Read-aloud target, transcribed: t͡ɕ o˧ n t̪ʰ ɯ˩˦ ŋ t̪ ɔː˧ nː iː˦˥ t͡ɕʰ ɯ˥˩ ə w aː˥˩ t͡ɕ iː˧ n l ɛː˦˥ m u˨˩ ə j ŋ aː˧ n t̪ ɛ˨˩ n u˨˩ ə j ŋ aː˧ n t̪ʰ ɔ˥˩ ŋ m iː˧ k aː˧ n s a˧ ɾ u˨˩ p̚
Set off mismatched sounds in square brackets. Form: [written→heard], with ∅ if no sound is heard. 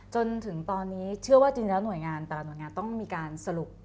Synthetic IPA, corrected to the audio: t͡ɕ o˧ n t̪ʰ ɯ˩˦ ŋ t̪ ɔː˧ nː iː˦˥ t͡ɕʰ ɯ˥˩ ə w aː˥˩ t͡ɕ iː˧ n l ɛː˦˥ [m→n] u˨˩ ə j ŋ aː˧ n t̪ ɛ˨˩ n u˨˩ ə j ŋ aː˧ n [t̪ʰ→t̪] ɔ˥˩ ŋ m iː˧ k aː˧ n s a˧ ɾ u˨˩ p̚